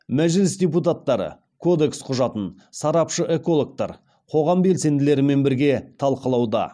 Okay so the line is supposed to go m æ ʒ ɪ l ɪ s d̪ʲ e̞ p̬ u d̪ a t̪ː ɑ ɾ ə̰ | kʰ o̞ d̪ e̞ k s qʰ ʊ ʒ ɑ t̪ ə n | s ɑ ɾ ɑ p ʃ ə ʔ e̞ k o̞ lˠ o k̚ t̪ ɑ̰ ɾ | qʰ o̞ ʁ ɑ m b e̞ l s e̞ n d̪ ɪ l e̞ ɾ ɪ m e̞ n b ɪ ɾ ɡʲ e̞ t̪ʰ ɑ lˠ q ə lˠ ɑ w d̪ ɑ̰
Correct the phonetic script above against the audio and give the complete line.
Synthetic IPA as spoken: m æ ʒ ɪ l ɪ s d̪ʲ e̞ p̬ u t̪ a t̪ː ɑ ɾ ə̰ | kʰ o̞ d̪ e̞ k s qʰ ʊ ʒ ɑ t̪ ə n | s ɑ ɾ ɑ p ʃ ə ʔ e̞ k o̞ lˠ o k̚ t̪ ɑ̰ ɾ | qʰ o̞ ʁ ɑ m b e̞ l s e̞ n d̪ ɪ l e̞ ɾ ɪ m e̞ n b ɪ ɾ ɡʲ e̞ t̪ʰ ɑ lˠ q ə lˠ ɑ w d̪ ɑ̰